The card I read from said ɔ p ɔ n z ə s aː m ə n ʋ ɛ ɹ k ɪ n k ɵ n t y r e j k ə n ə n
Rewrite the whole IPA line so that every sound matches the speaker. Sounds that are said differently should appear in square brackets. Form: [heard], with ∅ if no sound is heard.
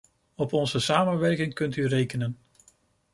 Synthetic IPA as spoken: ɔ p ɔ n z ə s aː m ə n ʋ ɛ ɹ k ɪ [ŋ] k ɵ n t y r e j k ə n ə n